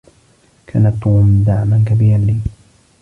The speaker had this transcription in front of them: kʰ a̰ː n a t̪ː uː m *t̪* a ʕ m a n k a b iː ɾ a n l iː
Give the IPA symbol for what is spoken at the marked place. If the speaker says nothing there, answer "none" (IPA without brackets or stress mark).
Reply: d̪